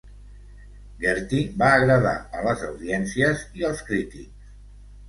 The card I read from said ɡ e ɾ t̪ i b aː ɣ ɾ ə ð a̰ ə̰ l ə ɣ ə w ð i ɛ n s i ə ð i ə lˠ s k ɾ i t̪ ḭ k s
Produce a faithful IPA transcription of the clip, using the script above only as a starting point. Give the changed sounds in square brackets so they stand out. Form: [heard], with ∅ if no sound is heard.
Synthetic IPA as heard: ɡ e ɾ t̪ i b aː ɣ ɾ ə ð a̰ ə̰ l ə [z] ə w ð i ɛ n s i ə [z] i ə lˠ s k ɾ i t̪ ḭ k s